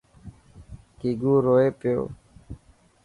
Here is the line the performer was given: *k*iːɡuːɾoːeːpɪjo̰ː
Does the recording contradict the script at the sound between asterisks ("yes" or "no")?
no